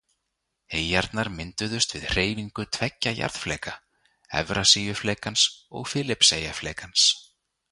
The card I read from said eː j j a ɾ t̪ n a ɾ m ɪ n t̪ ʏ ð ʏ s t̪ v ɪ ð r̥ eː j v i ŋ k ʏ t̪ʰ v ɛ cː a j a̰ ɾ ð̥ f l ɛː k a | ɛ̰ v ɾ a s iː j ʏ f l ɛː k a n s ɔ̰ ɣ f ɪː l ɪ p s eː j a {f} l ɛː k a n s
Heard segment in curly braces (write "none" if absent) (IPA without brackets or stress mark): f